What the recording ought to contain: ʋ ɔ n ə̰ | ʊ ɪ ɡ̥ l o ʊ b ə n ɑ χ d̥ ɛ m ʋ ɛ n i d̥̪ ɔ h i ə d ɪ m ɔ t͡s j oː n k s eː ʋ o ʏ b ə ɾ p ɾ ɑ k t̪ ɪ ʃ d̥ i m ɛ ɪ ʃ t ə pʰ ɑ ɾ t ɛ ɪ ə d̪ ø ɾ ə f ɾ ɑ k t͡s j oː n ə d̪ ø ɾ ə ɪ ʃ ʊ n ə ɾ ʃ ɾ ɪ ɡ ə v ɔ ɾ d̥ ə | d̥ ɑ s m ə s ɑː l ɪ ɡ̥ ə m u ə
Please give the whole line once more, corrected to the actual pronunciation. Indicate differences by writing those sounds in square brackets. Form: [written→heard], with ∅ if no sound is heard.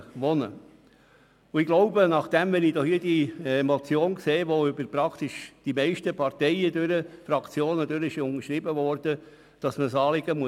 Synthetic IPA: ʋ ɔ n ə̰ | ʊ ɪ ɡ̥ l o ʊ b ə n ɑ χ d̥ ɛ m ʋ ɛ n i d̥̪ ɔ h i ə d [ɪ→i] m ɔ t͡s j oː n k s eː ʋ o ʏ b ə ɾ p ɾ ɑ k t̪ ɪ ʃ d̥ i m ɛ ɪ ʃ t ə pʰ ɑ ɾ t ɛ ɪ ə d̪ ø ɾ ə f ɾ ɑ k t͡s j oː n ə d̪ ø ɾ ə ɪ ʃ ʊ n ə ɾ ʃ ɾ ɪ [ɡ→b] ə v ɔ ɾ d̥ ə | d̥ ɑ s m ə s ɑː l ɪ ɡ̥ ə m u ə